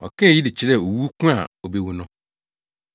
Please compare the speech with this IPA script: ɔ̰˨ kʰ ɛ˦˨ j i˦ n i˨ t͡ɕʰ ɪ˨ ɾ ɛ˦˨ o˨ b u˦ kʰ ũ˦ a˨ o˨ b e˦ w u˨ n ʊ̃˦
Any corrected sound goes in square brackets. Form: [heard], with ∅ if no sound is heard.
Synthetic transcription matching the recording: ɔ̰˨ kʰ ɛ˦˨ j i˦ [d] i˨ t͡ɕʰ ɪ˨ ɾ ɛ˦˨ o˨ [w] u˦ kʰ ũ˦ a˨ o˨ b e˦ w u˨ n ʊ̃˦